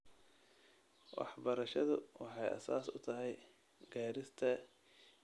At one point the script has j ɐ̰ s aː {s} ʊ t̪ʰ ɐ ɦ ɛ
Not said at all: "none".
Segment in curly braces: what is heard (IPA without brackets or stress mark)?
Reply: s